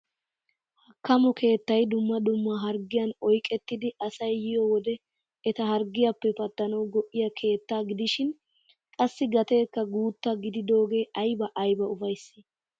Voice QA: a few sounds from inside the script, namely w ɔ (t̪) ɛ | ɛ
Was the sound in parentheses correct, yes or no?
no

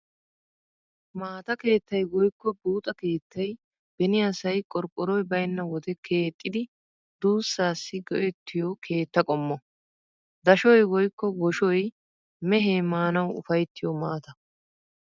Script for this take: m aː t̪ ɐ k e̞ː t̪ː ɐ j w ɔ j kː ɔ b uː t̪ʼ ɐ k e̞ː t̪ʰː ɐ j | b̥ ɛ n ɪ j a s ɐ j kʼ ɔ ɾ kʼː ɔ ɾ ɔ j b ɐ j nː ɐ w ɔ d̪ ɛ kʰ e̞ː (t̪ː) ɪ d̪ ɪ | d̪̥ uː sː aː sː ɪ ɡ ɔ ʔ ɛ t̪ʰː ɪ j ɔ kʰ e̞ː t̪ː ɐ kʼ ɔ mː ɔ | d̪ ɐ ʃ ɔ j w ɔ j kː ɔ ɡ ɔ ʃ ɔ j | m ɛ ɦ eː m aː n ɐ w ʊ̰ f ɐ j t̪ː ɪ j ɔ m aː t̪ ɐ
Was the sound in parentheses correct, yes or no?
no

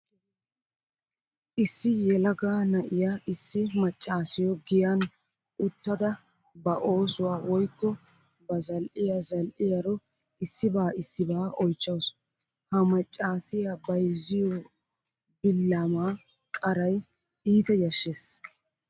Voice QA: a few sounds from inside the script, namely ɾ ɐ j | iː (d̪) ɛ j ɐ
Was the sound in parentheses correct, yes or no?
no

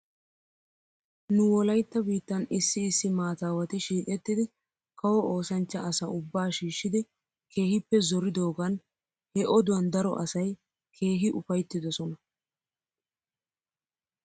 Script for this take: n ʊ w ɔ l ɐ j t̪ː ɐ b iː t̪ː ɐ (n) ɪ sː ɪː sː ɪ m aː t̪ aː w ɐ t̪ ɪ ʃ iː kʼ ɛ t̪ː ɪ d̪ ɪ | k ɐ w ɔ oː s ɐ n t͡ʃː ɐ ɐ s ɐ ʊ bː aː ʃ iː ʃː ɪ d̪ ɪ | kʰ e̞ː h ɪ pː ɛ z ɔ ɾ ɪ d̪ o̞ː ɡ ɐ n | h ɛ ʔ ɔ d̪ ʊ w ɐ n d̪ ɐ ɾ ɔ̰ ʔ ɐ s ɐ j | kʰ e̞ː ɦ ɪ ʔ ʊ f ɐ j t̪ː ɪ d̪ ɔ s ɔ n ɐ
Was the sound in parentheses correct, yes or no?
yes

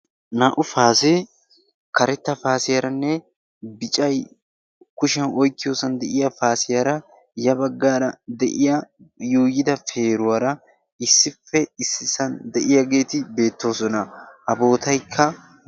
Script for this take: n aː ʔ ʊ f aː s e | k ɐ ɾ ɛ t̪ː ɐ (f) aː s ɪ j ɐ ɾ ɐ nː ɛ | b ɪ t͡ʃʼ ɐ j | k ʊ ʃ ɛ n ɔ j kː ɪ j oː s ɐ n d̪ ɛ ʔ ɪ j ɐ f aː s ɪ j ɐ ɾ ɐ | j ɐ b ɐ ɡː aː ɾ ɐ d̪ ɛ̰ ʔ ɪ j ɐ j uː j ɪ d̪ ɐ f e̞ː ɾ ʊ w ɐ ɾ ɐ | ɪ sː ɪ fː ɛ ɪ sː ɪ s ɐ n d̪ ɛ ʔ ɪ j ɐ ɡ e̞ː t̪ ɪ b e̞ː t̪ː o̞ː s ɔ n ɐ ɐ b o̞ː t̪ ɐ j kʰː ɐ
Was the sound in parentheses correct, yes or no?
yes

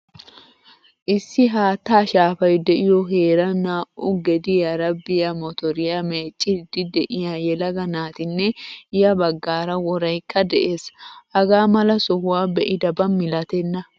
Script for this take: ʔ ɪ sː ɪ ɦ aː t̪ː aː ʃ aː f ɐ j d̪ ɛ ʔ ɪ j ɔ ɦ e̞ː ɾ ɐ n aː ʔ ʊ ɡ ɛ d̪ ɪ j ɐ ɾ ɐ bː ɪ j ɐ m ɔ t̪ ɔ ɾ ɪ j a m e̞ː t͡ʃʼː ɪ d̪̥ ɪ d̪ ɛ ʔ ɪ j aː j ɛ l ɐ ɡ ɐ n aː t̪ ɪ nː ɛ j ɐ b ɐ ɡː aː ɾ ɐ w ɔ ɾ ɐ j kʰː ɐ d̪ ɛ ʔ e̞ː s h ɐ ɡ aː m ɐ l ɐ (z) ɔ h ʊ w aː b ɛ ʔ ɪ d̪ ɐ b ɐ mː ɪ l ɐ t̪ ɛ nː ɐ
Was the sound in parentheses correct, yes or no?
no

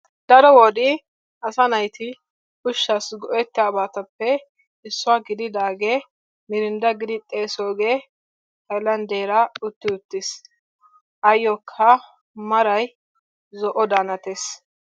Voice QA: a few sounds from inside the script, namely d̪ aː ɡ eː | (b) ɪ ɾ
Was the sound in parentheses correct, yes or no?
no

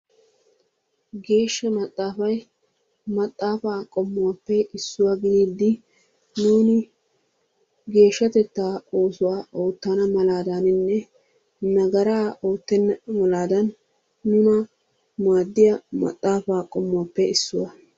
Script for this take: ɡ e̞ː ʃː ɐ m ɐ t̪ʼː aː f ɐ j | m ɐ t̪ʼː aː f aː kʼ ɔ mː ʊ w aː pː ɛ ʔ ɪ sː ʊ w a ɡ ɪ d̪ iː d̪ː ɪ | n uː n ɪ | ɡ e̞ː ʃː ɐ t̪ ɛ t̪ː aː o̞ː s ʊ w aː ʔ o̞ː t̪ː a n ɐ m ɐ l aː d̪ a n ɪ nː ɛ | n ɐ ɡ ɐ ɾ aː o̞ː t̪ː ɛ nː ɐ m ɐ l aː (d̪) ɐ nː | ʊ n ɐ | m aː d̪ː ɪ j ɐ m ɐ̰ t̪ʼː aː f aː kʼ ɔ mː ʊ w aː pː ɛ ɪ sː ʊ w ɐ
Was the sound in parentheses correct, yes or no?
yes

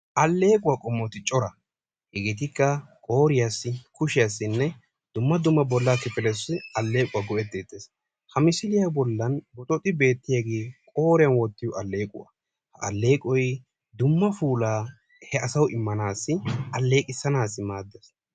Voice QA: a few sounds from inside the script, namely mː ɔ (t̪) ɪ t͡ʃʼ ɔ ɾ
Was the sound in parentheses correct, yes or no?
yes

